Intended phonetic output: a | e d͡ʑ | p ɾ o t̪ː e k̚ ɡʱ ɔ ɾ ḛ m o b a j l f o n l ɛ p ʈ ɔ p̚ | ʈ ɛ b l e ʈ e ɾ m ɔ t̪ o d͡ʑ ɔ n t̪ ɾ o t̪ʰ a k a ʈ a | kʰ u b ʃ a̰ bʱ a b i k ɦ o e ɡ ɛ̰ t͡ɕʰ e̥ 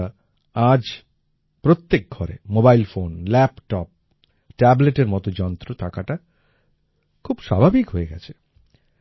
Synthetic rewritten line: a | a d͡ʑ | p ɾ o t̪ː e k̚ ɡʱ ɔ ɾ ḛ m o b a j l f o n l ɛ p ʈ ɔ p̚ | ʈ ɛ b l e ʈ e ɾ m ɔ t̪ o d͡ʑ ɔ n t̪ ɾ o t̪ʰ a k a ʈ a | kʰ u b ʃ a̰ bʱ a b i k ɦ o e ɡ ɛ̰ t͡ɕʰ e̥